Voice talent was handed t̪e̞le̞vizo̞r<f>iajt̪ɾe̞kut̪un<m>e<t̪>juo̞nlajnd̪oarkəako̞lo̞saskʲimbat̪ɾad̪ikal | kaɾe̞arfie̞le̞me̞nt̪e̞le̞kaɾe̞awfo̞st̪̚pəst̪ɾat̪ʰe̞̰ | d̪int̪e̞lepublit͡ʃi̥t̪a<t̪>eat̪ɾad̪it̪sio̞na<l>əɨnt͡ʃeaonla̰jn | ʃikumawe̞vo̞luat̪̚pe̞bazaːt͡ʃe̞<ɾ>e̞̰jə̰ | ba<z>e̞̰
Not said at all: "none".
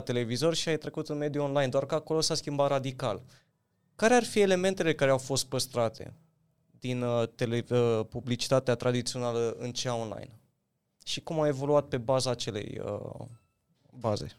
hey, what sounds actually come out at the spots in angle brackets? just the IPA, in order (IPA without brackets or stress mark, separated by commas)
ʃ, m, d̪, t̪, l, l, z